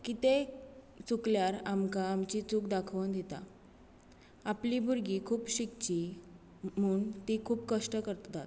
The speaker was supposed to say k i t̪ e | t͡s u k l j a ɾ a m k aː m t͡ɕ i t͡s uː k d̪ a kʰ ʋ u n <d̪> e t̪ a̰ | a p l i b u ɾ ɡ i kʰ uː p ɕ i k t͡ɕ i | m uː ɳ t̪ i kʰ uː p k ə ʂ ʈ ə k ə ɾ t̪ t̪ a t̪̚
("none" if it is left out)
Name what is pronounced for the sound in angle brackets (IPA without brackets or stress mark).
d̪